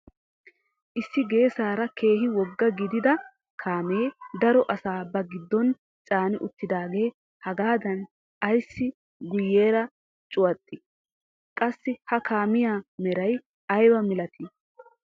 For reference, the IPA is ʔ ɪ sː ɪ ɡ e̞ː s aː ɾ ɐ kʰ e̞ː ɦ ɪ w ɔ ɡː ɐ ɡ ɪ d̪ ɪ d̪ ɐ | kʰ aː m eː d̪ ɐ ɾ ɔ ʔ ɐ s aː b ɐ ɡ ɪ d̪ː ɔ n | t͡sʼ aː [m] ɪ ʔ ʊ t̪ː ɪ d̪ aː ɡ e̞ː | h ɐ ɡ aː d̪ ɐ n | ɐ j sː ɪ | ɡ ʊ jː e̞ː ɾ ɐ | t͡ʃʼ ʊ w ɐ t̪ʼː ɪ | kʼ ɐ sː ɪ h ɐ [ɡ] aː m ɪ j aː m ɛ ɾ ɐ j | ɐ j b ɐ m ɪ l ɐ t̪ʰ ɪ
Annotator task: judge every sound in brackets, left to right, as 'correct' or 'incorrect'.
incorrect, incorrect

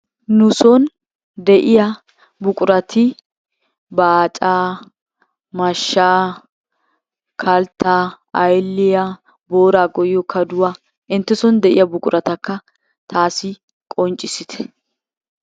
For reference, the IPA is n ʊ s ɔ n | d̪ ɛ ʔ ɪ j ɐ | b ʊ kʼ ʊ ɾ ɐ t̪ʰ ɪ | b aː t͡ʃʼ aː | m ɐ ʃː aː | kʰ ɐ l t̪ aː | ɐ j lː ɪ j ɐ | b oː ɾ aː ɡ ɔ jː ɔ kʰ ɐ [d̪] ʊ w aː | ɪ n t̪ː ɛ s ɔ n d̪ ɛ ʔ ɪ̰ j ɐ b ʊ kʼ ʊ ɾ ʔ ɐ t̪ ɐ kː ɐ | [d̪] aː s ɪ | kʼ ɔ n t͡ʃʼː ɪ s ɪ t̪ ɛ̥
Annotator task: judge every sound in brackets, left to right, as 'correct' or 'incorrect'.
correct, incorrect

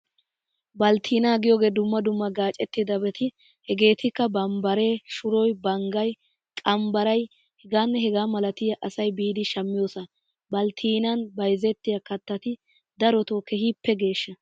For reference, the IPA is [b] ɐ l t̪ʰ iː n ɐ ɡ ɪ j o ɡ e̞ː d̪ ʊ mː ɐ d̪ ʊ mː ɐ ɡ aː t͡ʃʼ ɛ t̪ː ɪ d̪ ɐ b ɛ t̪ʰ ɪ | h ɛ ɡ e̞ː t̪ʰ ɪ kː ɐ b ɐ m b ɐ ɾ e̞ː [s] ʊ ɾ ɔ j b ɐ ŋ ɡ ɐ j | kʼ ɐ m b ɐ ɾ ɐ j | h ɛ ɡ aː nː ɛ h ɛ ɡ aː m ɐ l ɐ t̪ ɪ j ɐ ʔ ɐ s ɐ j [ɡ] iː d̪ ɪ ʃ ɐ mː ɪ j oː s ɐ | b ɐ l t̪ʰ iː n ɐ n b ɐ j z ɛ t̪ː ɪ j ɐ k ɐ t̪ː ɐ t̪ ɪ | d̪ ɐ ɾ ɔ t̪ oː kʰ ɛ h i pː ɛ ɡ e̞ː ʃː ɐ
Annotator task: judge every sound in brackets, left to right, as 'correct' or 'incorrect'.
correct, incorrect, incorrect

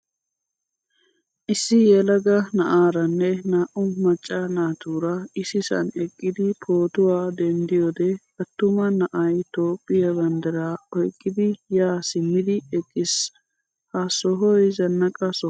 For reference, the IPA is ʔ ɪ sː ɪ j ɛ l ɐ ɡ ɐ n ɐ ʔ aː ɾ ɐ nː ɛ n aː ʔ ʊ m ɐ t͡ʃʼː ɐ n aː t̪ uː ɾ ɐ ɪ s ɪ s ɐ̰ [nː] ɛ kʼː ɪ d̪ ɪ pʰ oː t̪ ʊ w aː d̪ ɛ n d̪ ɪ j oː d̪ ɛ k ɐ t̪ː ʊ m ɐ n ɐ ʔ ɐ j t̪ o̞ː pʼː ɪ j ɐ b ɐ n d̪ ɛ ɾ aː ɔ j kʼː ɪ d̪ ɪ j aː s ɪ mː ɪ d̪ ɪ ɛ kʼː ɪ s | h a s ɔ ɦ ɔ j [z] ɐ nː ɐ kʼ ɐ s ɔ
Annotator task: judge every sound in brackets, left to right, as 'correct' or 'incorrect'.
incorrect, correct

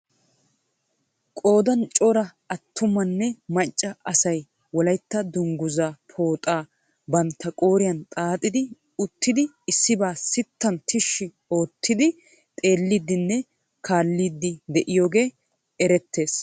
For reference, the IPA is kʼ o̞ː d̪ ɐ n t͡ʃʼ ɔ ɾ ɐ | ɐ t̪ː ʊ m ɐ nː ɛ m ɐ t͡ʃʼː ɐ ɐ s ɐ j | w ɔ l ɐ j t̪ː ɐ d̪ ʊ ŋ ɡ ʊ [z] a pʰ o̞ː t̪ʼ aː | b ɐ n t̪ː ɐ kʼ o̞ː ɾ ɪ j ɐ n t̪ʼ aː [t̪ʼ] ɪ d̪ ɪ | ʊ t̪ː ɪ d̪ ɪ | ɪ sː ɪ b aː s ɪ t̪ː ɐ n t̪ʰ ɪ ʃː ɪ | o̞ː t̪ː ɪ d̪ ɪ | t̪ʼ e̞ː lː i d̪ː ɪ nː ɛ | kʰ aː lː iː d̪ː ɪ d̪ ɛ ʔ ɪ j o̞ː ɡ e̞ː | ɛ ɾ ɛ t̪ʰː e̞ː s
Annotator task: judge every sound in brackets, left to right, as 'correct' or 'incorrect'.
correct, correct

